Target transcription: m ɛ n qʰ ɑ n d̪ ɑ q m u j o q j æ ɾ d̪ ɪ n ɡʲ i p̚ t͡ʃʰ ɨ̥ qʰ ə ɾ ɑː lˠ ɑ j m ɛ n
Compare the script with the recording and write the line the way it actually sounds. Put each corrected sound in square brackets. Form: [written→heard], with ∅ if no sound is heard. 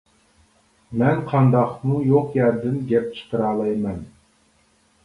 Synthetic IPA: m ɛ n qʰ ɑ n d̪ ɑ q m u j o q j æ ɾ d̪ ɪ n ɡʲ [i→ɛ] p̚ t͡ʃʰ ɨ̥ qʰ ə ɾ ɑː lˠ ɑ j m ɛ n